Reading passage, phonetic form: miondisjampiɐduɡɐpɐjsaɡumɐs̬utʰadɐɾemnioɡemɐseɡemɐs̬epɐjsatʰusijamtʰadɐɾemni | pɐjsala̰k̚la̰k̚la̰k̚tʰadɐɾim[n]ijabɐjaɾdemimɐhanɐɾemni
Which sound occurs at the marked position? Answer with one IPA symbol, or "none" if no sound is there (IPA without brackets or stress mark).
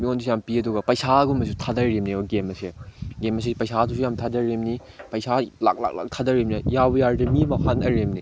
n